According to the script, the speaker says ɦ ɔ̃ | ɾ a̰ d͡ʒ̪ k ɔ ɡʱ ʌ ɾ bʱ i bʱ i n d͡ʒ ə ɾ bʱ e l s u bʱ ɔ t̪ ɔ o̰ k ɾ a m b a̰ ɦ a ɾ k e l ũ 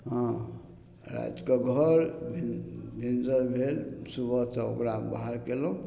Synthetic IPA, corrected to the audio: ɦ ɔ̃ | ɾ a̰ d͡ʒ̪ k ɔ ɡʱ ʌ ɾ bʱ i bʱ i n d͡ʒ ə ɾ bʱ e l s u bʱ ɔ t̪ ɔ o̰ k ɾ a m b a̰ ɦ a ɾ k e l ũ